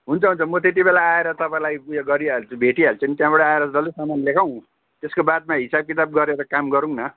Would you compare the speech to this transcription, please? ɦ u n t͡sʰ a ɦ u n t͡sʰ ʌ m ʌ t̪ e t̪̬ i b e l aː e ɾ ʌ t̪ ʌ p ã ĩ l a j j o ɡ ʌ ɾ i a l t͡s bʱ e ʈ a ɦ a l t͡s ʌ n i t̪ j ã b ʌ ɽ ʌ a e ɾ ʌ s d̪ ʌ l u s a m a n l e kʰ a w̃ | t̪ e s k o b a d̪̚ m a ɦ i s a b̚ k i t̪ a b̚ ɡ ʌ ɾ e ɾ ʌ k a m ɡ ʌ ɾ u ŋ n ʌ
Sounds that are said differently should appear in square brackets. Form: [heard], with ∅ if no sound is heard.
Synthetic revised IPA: ɦ u n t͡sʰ [ʌ] ɦ u n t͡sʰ ʌ m ʌ t̪ e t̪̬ i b e l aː e ɾ ʌ t̪ ʌ p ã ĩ l a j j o ɡ ʌ ɾ i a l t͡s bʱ e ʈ [i] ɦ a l t͡s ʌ n i t̪ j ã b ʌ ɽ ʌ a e ɾ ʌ s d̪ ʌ l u s a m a n l e kʰ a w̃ | t̪ e s k o b a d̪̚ m a ɦ i s a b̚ k i t̪ a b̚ ɡ ʌ ɾ e ɾ ʌ k a m ɡ ʌ ɾ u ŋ n ʌ

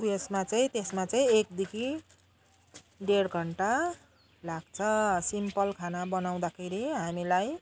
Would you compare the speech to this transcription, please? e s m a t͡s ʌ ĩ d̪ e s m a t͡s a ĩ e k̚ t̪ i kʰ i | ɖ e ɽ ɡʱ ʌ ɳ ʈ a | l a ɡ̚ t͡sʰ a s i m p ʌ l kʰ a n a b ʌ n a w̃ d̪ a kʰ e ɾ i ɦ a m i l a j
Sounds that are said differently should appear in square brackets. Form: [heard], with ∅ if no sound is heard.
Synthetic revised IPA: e s m a t͡s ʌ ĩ [t̪] e s m a t͡s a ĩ e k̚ [d̪] i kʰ i | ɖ e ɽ ɡʱ ʌ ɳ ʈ a | l a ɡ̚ t͡sʰ [ʌ] s i m p ʌ l kʰ a n a b ʌ n a w̃ d̪ a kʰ e ɾ i ɦ a m i l a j

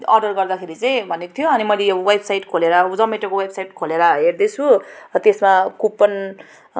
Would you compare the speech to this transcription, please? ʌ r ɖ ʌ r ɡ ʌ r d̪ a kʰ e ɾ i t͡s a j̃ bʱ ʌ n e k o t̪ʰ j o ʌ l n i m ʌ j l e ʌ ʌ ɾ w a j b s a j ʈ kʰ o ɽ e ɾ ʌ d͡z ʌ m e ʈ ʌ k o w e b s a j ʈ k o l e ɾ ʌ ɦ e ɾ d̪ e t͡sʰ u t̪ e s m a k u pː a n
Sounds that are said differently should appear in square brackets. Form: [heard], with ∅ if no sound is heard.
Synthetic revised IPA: ʌ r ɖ ʌ r ɡ ʌ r d̪ a kʰ e ɾ i t͡s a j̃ bʱ ʌ n e k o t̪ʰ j o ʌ [∅] n i m ʌ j l e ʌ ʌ [∅] w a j b s a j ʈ kʰ o [l] e ɾ ʌ d͡z ʌ m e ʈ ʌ k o w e b s a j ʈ [kʰ] o l e ɾ ʌ ɦ e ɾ d̪ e t͡sʰ u t̪ e s m a k u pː [ʌ] n

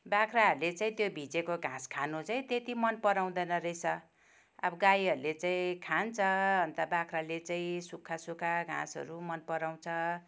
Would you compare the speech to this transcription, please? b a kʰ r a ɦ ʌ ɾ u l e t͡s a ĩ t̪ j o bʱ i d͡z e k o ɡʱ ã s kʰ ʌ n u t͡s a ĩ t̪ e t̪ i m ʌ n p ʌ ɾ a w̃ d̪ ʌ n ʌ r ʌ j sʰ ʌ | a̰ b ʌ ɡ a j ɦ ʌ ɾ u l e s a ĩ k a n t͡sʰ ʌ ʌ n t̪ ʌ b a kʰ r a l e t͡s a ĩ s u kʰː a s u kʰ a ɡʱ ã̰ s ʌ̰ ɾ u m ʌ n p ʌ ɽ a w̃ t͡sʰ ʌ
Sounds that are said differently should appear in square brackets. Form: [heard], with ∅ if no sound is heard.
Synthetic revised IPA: b a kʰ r a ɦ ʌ ɾ u l e t͡s a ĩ t̪ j o bʱ i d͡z e k o ɡʱ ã s kʰ [a] n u t͡s a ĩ t̪ e t̪ i m ʌ n p ʌ ɾ a w̃ d̪ ʌ n ʌ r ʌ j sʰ ʌ | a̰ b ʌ ɡ a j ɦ ʌ ɾ u l e [t͡s] a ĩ [kʰ] a n t͡sʰ ʌ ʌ n t̪ ʌ b a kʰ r a l e t͡s a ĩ s u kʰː a s u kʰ a ɡʱ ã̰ s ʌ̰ ɾ u m ʌ n p ʌ [ɾ] a w̃ t͡sʰ ʌ

